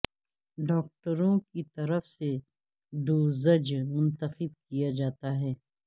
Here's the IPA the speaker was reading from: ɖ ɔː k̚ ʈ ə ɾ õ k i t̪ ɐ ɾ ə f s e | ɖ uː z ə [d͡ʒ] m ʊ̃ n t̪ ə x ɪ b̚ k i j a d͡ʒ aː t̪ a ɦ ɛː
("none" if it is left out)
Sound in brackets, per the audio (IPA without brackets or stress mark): d͡ʒ